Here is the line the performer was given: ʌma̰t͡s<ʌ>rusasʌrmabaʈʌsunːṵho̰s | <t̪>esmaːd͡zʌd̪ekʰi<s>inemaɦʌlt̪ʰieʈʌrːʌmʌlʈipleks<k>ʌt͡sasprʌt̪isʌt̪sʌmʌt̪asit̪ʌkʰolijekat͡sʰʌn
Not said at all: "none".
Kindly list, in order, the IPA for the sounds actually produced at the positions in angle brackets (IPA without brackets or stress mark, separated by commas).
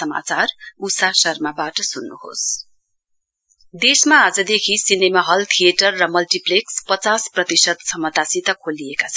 a, d̪, s, p